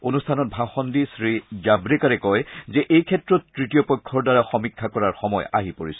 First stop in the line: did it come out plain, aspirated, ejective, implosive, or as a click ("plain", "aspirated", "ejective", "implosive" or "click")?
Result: aspirated